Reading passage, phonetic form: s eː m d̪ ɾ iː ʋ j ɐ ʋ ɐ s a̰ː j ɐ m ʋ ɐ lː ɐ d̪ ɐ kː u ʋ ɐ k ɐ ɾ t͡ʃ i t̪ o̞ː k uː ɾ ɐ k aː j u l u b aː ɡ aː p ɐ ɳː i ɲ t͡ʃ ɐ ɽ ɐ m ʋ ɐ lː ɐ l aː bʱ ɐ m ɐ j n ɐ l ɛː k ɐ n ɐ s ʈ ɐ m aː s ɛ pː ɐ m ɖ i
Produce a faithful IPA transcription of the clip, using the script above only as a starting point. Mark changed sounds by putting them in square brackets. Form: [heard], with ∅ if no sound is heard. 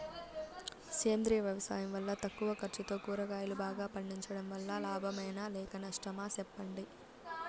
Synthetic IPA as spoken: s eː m d̪ ɾ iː ʋ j ɐ ʋ ɐ s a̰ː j ɐ m ʋ ɐ lː ɐ [t̪] ɐ kː u ʋ ɐ k ɐ ɾ t͡ʃ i t̪ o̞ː k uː ɾ ɐ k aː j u l u b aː ɡ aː p ɐ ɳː i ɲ t͡ʃ ɐ ɽ ɐ m ʋ ɐ lː ɐ l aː bʱ ɐ m ɐ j n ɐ l ɛː k ɐ n ɐ [ʂ] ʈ ɐ m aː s ɛ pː ɐ [ɳ] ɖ i